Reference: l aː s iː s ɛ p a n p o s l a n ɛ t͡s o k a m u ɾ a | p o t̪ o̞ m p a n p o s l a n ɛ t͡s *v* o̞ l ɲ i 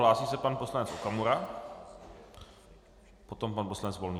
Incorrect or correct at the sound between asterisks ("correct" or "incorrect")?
correct